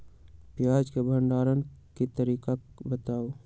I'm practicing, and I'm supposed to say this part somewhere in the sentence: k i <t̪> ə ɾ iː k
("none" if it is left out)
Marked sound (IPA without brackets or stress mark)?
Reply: t̪